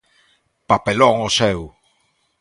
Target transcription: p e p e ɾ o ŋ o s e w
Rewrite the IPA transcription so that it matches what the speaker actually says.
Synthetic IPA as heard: p a p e l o ŋ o s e w